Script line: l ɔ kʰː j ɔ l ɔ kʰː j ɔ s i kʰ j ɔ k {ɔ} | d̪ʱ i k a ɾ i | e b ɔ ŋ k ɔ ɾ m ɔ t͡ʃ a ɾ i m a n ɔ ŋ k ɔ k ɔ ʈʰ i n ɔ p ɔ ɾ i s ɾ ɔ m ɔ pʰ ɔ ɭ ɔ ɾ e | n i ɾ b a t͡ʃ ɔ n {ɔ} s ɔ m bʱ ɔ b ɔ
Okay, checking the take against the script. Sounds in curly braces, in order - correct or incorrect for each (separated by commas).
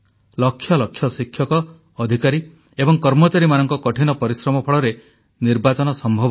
incorrect, correct